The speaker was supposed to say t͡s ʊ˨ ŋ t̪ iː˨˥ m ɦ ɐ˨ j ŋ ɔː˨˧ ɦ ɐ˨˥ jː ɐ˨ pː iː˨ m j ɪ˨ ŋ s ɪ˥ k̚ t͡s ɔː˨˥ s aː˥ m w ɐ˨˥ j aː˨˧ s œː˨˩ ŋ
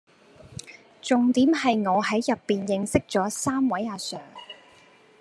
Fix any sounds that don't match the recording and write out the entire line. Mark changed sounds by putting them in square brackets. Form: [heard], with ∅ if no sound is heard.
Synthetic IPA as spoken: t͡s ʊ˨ ŋ t̪ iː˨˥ m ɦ ɐ˨ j ŋ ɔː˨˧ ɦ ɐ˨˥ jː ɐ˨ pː iː˨ [n] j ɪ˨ ŋ s ɪ˥ k̚ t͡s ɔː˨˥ s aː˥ m w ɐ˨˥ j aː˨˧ s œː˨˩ ŋ